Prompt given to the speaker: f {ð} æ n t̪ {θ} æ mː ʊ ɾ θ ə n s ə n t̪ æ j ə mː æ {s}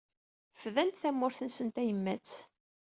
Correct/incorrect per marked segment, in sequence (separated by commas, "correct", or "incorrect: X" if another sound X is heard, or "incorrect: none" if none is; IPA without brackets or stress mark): correct, correct, incorrect: t͡s